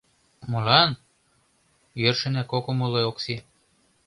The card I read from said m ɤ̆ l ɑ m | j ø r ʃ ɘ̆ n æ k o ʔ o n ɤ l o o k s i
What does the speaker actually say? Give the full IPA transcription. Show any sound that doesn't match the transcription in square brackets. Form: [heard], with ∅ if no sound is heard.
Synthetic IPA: m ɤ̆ l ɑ [n] | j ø r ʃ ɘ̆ n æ k o [k] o [m] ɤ l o o k s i

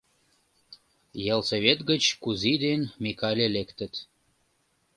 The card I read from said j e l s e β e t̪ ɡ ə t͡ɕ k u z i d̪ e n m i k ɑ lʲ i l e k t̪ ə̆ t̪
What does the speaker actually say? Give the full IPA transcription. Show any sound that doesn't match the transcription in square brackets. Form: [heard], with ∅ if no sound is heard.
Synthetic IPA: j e l s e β e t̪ ɡ ə t͡ɕ k u z i d̪ e n m i k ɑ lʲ [e] l e k t̪ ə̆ t̪

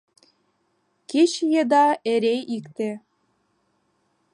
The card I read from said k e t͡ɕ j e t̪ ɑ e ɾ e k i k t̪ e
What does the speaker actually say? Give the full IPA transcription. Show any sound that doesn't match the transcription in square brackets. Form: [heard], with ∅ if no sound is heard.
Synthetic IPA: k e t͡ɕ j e [d̪] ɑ e ɾ e [∅] i k t̪ e

